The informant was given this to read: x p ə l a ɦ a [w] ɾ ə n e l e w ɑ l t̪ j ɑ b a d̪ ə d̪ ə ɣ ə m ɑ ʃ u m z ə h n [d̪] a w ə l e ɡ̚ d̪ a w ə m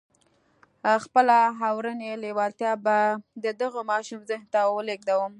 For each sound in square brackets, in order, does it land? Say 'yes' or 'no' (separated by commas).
yes, no